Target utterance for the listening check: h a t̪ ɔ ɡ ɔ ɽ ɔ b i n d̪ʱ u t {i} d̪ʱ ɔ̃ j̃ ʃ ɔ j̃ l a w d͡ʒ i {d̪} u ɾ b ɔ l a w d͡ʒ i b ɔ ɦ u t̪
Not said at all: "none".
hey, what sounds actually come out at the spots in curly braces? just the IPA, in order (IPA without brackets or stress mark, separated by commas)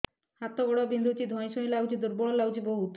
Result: i, d̪